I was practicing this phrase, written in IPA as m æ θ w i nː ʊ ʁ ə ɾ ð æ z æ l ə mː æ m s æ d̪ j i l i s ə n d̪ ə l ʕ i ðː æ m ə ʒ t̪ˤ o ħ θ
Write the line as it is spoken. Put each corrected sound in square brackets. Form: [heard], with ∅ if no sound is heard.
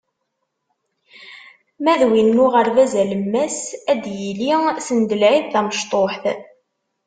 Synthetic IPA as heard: m æ [ð] w i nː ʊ ʁ ə ɾ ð æ z æ l ə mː æ [∅] s æ d̪ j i l i s ə n d̪ ə l ʕ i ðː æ m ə [ʃ] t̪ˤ o ħ θ